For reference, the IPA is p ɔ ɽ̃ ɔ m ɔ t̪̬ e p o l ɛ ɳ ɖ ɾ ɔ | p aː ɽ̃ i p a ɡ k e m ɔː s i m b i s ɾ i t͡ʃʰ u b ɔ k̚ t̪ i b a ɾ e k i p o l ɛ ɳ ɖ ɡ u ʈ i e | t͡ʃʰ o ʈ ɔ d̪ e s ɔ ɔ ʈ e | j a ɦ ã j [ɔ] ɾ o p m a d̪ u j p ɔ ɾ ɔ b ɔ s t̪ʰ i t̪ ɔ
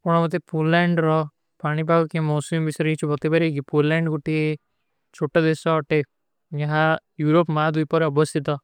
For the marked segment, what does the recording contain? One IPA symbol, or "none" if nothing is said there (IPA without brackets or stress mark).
u